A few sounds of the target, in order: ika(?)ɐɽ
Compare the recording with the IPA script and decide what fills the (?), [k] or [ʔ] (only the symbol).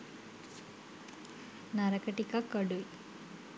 k